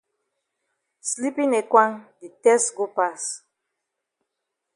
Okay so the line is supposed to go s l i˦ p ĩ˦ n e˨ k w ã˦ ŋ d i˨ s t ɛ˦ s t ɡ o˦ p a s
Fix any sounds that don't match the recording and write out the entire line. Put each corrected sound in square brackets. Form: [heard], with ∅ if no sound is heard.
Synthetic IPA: s l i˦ p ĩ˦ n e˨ k w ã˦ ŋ d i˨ [∅] t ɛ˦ s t ɡ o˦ p a s